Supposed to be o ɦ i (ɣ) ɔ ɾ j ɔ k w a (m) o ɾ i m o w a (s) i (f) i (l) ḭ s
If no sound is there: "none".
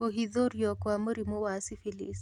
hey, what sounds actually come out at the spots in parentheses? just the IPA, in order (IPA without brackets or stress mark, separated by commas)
ð, m, s, f, l